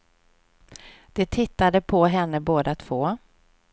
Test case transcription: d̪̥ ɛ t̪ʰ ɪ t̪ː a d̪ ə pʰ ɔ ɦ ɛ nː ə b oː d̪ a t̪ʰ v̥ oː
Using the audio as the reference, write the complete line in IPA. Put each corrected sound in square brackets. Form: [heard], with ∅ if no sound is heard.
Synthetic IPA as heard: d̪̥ ɛ t̪ʰ ɪ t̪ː a d̪ ə pʰ ɔ ɦ ɛ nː ə b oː d̪ a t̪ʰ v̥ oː